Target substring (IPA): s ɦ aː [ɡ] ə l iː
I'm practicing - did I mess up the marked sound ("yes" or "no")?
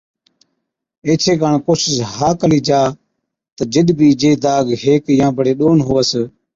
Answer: yes